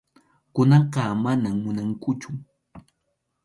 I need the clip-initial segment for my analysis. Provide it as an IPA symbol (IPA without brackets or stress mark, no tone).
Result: k